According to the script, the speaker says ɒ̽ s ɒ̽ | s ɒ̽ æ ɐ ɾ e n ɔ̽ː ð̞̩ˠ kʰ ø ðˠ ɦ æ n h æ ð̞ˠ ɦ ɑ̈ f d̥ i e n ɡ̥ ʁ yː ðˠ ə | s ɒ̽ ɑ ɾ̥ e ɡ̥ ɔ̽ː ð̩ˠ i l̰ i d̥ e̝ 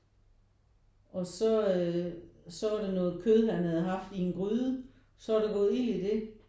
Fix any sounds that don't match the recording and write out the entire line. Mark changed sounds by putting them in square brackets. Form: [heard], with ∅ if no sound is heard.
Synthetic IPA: ɒ̽ s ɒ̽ | s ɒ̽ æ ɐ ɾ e n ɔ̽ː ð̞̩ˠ kʰ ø ðˠ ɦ æ n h æ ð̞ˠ ɦ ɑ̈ f d̥ i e n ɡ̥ ʁ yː ðˠ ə | s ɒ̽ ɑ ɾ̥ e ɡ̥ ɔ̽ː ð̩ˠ i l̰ i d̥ e̝